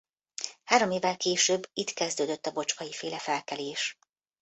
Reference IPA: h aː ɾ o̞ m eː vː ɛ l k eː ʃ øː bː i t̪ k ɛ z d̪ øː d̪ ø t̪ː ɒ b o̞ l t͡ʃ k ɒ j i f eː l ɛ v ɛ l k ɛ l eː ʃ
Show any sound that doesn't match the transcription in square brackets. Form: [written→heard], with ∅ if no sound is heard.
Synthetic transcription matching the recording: h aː ɾ o̞ m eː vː ɛ l k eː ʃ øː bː i t̪ k ɛ z d̪ øː d̪ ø t̪ː ɒ b o̞ [l→∅] t͡ʃ k ɒ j i f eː l ɛ [v→f] ɛ l k ɛ l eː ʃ